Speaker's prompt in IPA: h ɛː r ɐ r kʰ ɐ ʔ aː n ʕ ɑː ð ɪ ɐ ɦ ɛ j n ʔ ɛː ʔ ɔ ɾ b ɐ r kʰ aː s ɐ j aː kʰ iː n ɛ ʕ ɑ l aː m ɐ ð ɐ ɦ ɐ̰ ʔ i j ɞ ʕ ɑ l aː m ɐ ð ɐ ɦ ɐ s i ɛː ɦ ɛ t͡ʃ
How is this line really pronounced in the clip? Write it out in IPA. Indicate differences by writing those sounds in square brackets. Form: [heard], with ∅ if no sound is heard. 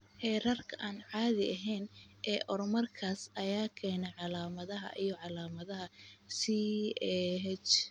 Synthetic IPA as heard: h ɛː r ɐ r kʰ ɐ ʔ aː n ʕ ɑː ð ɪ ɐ ɦ ɛ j n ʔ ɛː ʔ ɔ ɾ [m] ɐ r kʰ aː s ɐ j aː kʰ [ɛː] n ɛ ʕ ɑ l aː m ɐ ð ɐ ɦ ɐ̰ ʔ i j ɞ ʕ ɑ l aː m ɐ ð ɐ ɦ ɐ s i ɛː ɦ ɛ t͡ʃ